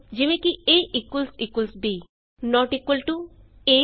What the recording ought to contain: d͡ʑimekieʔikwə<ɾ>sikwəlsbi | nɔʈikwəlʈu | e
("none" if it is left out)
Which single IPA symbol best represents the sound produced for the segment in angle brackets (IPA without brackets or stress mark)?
l